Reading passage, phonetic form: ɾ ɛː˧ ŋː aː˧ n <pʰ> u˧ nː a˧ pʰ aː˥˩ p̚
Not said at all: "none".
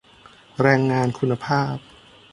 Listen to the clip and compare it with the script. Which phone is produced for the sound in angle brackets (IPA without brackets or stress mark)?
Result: kʰ